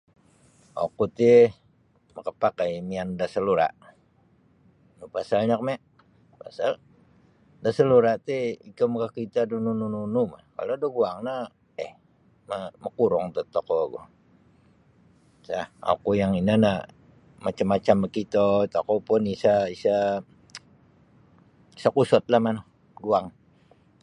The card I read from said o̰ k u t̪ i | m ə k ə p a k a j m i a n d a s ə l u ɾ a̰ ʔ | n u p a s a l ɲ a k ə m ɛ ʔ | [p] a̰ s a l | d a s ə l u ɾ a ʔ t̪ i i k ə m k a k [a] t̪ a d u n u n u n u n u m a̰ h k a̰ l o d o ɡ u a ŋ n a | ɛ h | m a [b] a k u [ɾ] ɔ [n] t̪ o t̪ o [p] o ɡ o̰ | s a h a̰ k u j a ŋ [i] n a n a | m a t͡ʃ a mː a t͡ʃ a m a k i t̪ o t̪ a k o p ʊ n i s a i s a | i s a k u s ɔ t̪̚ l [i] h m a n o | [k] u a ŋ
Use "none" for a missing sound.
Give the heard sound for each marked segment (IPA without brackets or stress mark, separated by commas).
p, i, m, ɾ, ŋ, k, i, a, ɡ